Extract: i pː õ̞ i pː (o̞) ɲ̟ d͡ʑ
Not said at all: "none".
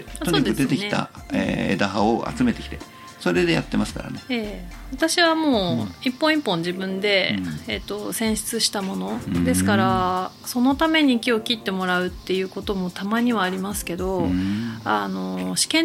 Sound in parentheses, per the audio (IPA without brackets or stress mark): õ̞